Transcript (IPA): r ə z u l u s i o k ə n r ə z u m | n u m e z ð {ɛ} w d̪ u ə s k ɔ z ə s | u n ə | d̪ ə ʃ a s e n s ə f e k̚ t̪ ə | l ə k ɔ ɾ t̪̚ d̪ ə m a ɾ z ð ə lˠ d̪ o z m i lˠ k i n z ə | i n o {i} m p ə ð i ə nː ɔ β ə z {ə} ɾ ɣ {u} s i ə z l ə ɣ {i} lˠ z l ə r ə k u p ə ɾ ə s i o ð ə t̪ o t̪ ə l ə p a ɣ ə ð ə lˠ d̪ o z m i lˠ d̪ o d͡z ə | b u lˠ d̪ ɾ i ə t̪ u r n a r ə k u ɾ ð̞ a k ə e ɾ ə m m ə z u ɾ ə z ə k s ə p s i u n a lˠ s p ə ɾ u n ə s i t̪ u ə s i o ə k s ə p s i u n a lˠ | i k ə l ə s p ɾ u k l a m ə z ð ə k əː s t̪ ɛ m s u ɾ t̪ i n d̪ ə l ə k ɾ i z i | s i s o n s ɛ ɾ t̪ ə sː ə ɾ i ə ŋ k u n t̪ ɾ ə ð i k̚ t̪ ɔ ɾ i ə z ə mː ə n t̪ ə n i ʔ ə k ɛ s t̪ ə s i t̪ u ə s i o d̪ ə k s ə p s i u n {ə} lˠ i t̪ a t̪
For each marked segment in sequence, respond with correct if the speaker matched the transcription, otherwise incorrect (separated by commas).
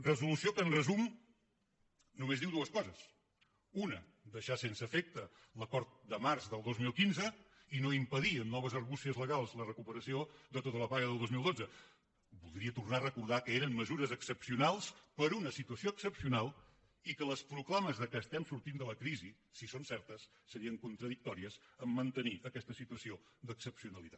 incorrect, correct, correct, correct, incorrect, correct